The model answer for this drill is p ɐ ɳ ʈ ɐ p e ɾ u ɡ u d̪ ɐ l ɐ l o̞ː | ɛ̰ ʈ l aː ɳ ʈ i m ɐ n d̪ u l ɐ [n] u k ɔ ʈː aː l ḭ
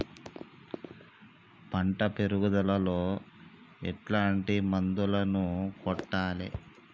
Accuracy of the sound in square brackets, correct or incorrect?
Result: correct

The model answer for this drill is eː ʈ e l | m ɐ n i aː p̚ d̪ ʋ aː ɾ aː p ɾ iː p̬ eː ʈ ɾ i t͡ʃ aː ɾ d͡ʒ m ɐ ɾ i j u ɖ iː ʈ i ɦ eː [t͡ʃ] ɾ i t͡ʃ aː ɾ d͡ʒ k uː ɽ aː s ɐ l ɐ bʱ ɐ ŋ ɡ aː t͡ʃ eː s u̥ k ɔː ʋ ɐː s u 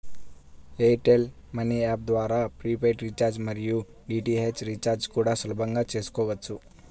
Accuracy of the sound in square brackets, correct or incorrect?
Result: correct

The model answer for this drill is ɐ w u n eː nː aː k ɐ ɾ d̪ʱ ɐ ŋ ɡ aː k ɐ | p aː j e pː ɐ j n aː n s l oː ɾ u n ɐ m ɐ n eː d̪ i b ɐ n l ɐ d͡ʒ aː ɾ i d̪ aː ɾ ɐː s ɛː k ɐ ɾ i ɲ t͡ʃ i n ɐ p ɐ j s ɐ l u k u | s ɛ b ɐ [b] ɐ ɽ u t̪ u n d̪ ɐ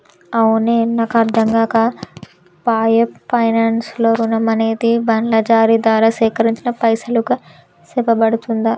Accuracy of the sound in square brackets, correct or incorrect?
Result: correct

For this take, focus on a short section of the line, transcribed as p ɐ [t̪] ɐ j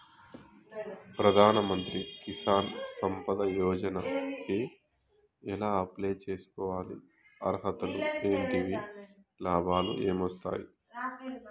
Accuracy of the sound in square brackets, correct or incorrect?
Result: incorrect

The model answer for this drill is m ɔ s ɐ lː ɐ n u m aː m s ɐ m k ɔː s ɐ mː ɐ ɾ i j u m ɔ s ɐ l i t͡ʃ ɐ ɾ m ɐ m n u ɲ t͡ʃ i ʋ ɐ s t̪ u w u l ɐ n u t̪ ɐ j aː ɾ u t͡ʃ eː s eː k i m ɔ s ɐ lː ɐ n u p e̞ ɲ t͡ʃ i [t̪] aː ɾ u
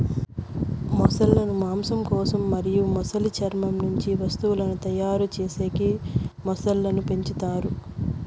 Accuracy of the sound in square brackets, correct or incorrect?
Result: correct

